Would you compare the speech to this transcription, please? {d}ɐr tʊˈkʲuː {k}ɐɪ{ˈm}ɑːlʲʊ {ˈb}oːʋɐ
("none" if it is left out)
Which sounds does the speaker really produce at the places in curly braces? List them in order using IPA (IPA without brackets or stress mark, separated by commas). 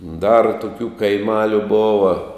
d, k, m, b